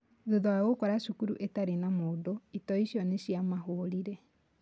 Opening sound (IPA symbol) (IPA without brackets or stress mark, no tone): ð